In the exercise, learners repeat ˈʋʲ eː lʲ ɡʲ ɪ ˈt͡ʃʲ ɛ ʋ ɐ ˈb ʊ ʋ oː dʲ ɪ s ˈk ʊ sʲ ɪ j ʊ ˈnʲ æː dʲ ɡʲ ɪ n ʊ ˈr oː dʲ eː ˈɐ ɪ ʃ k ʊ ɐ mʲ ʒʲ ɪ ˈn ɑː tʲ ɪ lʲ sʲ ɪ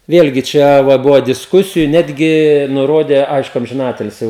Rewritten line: ˈʋʲ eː lʲ ɡʲ ɪ ˈt͡ʃʲ ɛ ʋ ɐ ˈb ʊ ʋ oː dʲ ɪ s ˈk ʊ sʲ ɪ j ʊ ˈnʲ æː dʲ ɡʲ ɪ n ʊ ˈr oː dʲ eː ˈɐ ɪ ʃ k ʊ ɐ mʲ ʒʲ ɪ ˈn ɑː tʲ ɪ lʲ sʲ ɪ